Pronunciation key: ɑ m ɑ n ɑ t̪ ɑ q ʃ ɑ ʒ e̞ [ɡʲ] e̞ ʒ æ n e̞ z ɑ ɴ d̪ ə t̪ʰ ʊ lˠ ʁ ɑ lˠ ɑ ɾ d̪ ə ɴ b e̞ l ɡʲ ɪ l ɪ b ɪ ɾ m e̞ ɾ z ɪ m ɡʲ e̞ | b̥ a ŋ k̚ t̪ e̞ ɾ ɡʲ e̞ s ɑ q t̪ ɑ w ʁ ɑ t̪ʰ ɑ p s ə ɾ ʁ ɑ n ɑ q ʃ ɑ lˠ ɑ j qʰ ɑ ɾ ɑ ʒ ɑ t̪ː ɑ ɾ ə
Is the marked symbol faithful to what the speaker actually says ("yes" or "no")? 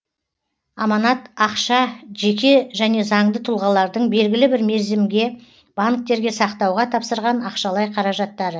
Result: no